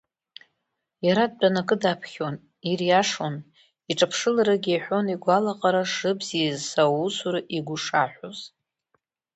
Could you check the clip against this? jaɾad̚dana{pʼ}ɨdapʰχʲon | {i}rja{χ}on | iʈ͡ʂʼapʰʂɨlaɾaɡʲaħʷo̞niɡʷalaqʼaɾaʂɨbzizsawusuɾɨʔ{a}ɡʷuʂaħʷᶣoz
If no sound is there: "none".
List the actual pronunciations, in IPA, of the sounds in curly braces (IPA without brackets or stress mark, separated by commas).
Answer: kʼ, i, ʂ, i